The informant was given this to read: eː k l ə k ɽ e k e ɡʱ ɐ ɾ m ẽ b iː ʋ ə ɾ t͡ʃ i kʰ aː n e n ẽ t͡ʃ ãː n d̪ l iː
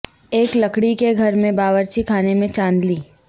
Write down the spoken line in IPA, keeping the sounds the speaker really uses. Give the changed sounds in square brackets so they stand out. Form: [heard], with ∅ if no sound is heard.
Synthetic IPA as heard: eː k l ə k ɽ [i] k e ɡʱ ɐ ɾ m ẽ b [aː] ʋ ə ɾ t͡ʃ i kʰ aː n e [m] ẽ t͡ʃ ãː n d̪ l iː

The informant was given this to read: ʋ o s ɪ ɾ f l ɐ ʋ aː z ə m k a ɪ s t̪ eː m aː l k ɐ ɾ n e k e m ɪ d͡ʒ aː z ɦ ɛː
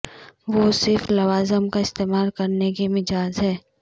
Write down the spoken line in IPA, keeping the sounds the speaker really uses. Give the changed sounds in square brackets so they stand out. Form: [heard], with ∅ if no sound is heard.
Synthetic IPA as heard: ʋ o s ɪ ɾ f l ɐ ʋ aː z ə m k a ɪ s t̪ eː m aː l k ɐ ɾ n e k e m ɪ d͡ʒ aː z ɦ ɛː

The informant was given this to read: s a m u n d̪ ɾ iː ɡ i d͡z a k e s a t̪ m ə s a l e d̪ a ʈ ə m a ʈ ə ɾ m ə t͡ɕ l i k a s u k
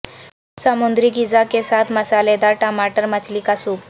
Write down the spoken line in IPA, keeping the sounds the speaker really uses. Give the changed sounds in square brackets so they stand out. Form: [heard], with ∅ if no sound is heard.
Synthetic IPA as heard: s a m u n d̪ ɾ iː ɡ i d͡z a k e s a t̪ m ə s a l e d̪ a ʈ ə m a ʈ ə ɾ m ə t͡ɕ l i k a s u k

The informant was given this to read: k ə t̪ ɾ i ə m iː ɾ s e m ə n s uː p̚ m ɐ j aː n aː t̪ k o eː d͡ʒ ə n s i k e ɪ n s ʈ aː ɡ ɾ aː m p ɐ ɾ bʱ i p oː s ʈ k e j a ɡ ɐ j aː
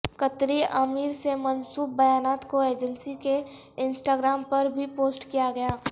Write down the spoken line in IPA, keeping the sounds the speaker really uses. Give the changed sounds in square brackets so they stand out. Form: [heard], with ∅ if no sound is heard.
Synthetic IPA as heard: k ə t̪ ɾ i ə m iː ɾ s e m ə n s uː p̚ [b] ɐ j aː n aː t̪ k o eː d͡ʒ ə n s i k e ɪ n s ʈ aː ɡ ɾ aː m p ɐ ɾ bʱ i p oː s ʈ k [i] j a ɡ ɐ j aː

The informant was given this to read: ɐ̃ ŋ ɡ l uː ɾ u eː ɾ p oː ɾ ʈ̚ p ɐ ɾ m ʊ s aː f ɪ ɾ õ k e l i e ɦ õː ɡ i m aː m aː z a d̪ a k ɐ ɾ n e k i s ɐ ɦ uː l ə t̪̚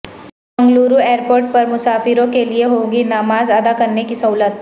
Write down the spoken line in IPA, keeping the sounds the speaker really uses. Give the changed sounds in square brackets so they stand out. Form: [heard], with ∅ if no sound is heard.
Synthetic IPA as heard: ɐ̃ ŋ ɡ l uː ɾ u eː ɾ p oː ɾ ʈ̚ p ɐ ɾ m ʊ s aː f ɪ ɾ õ k e l i e ɦ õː ɡ i [n] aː m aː z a d̪ a k ɐ ɾ n e k i s ɐ ɦ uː l ə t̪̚

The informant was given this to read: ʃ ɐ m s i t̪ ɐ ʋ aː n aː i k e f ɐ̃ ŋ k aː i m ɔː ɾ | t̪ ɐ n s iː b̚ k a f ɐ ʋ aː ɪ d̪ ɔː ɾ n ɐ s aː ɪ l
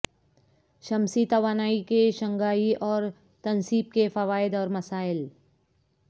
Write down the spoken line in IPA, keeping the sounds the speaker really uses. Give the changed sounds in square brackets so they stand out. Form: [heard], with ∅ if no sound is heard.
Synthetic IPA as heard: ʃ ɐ m s i t̪ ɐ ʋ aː n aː i k e [ʃ] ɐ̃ ŋ [ɡ] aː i [∅] ɔː ɾ | t̪ ɐ n s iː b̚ k [e] f ɐ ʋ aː ɪ d̪ ɔː ɾ [m] ɐ s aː ɪ l

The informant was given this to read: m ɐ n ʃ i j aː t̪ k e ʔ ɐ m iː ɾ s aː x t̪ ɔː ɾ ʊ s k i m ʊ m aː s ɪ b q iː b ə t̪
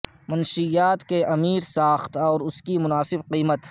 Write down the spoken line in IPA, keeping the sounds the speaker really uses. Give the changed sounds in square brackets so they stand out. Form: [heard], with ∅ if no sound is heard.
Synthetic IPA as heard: m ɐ n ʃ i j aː t̪ k e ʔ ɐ m iː ɾ s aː x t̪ ɔː ɾ ʊ s k i m ʊ [n] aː s ɪ b q iː [m] ə t̪

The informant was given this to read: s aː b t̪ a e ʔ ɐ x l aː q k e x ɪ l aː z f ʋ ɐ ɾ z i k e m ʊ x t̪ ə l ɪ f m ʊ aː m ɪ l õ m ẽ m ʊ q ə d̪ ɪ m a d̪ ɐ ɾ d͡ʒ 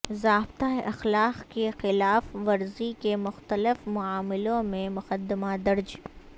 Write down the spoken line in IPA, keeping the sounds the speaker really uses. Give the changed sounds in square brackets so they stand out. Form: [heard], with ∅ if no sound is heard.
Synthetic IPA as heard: [z] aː b t̪ a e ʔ ɐ x l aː q k e x ɪ l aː [∅] f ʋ ɐ ɾ z i k e m ʊ x t̪ ə l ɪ f m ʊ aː m ɪ l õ m ẽ m ʊ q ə d̪ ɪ m a d̪ ɐ ɾ d͡ʒ

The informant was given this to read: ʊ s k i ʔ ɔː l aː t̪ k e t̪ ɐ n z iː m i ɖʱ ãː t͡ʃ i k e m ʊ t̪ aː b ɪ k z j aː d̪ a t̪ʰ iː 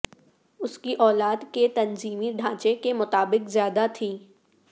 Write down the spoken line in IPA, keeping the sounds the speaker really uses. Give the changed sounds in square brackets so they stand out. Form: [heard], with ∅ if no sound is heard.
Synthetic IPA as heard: ʊ s k i ʔ ɔː l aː [d̪] k e t̪ ɐ n z iː m i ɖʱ ãː t͡ʃ [e] k e m ʊ t̪ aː b ɪ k z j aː d̪ a t̪ʰ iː

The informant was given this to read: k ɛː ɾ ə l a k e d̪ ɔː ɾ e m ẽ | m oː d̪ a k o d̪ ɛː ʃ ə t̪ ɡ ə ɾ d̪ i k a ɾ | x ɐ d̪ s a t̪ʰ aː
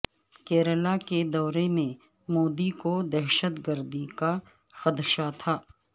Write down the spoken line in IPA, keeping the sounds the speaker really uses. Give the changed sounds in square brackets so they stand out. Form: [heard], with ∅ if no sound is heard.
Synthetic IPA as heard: k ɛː ɾ ə l a k e d̪ ɔː ɾ e m ẽ | m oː d̪ [i] k o d̪ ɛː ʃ ə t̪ ɡ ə ɾ d̪ i k a [∅] | x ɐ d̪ [ʃ] a t̪ʰ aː

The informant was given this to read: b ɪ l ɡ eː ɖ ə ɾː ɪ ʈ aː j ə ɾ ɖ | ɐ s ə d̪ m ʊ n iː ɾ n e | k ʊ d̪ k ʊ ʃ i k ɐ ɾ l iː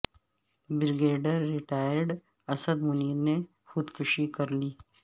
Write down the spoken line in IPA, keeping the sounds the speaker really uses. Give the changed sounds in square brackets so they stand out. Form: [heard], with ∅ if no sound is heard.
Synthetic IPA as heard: b ɪ [ɾ] ɡ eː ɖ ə ɾː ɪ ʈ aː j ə ɾ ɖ | ɐ s ə d̪ m ʊ n iː ɾ n e | [x] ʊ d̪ k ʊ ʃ i k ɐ ɾ l iː

